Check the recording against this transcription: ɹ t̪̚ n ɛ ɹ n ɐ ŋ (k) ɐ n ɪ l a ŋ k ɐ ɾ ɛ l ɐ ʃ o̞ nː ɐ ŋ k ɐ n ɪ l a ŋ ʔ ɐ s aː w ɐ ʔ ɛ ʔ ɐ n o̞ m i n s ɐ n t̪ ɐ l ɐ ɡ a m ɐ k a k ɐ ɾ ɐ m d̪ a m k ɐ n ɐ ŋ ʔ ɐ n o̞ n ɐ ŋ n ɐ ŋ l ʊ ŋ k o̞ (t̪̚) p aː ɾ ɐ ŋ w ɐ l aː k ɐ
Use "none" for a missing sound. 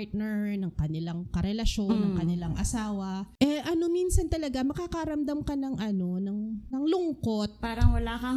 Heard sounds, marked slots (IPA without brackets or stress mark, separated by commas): k, t̪̚